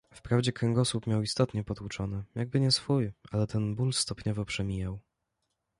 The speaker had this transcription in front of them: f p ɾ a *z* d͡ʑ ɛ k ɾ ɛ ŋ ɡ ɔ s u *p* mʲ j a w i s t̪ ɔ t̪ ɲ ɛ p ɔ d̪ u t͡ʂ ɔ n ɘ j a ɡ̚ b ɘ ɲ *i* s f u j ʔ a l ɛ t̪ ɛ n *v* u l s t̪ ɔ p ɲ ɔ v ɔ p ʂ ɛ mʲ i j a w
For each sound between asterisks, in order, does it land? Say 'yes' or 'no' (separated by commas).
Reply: no, yes, no, no